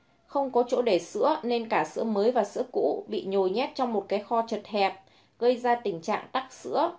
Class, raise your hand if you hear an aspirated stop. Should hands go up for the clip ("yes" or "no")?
no